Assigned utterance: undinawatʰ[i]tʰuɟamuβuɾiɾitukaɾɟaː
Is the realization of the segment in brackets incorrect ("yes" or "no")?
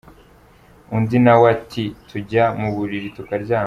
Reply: no